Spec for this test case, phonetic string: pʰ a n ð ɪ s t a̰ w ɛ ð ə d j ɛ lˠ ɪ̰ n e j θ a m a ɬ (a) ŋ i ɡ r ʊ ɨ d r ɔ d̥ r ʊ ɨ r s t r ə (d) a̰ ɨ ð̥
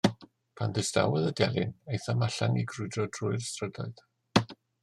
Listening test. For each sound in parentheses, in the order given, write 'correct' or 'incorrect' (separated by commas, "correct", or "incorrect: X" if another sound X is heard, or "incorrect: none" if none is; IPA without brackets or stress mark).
correct, correct